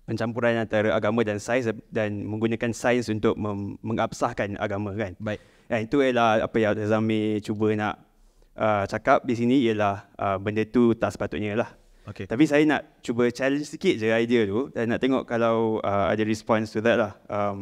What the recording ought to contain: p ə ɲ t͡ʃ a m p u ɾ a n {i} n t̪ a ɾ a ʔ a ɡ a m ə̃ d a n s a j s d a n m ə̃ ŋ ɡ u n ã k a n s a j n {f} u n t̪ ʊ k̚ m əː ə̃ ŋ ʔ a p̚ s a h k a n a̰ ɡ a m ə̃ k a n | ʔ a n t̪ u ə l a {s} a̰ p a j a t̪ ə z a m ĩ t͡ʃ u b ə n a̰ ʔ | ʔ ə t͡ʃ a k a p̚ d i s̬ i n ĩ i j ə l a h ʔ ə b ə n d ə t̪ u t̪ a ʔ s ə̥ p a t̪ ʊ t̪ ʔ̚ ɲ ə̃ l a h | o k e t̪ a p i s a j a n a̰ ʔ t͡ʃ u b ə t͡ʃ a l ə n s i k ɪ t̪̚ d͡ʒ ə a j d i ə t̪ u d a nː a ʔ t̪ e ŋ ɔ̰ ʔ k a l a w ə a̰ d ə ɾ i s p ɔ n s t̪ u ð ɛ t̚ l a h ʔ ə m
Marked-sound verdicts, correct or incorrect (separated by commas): incorrect, incorrect, incorrect